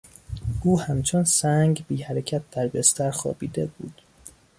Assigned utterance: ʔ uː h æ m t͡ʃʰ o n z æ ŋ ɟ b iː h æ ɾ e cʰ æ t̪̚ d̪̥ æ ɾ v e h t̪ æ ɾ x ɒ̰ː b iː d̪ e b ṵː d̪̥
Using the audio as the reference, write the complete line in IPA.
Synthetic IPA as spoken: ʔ uː h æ m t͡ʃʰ o n s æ ŋ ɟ b iː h æ ɾ e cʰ æ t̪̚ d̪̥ æ ɾ b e s t̪ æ ɾ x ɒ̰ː b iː d̪ e b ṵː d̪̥